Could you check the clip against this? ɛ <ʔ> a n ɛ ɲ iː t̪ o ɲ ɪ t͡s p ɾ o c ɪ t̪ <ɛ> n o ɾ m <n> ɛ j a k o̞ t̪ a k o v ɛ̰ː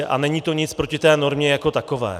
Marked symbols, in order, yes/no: yes, no, no

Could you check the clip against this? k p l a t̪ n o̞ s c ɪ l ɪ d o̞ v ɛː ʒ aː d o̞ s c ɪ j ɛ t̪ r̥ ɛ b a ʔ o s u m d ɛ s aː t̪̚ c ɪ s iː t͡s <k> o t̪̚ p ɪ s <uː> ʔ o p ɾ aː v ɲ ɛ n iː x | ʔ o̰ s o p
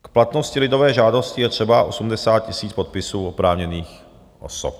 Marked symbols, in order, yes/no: no, yes

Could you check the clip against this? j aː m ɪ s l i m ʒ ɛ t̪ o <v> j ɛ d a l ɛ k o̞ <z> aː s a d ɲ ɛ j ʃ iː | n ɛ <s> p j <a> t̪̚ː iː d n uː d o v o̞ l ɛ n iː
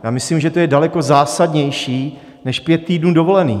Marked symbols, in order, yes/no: no, yes, no, no

